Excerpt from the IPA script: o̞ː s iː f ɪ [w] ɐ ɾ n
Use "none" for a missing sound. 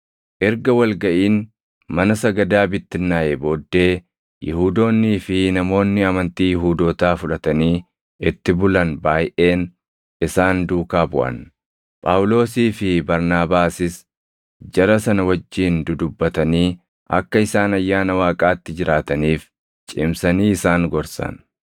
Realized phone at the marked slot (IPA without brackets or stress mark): b